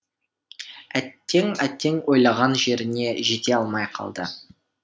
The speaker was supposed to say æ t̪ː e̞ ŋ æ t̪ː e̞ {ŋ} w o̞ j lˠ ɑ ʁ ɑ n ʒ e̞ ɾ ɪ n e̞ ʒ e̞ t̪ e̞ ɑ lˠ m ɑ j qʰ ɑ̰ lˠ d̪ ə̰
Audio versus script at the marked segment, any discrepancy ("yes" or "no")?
no